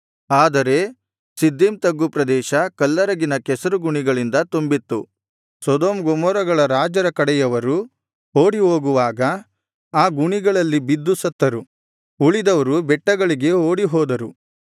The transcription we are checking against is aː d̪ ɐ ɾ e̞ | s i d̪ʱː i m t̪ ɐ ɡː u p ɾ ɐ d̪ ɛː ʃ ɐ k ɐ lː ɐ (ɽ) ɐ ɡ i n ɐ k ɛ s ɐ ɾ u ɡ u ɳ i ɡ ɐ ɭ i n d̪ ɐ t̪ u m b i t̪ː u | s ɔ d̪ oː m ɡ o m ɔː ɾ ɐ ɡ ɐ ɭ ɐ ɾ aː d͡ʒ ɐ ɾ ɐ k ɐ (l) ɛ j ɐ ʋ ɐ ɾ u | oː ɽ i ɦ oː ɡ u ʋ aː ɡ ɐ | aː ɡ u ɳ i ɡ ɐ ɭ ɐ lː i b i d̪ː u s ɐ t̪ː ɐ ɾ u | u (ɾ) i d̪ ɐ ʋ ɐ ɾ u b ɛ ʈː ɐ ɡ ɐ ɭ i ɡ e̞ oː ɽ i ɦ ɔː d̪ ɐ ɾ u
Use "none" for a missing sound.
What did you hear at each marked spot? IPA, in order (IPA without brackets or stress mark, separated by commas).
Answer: ɾ, ɽ, ɭ